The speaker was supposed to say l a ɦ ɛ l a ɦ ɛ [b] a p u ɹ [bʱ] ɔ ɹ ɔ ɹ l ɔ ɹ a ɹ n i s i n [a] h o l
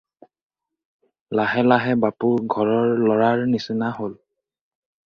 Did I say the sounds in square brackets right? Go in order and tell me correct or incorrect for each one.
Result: correct, incorrect, correct

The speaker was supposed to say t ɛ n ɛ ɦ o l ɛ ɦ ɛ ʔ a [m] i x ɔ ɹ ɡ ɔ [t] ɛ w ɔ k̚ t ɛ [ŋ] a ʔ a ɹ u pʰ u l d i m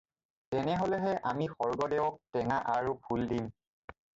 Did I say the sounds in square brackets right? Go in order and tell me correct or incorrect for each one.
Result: correct, incorrect, correct

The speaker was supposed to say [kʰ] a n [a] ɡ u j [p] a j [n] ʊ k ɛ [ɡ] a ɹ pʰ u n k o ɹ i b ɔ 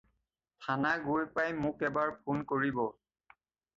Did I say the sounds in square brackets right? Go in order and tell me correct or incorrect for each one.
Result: incorrect, correct, correct, incorrect, incorrect

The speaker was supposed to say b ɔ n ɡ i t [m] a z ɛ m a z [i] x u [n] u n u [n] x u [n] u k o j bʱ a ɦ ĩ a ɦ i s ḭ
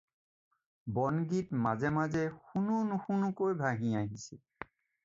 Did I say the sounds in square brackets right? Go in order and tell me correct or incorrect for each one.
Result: correct, incorrect, correct, incorrect, correct

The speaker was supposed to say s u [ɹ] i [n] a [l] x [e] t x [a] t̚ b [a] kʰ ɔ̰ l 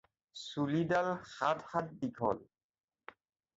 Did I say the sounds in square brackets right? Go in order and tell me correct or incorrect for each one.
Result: incorrect, incorrect, correct, incorrect, correct, incorrect

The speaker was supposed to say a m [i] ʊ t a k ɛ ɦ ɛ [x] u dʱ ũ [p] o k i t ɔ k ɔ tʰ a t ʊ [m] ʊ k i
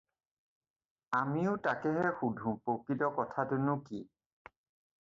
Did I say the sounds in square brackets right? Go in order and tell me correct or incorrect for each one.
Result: correct, correct, correct, incorrect

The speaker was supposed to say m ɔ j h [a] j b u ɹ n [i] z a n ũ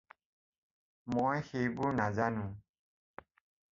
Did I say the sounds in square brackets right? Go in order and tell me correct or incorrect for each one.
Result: incorrect, incorrect

